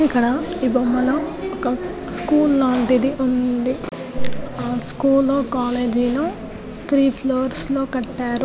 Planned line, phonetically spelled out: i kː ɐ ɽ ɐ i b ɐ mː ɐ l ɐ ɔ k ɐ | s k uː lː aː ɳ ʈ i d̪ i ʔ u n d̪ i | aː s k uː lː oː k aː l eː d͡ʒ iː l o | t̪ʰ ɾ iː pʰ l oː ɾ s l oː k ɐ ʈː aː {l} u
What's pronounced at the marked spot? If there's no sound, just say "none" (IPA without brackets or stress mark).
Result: ɾ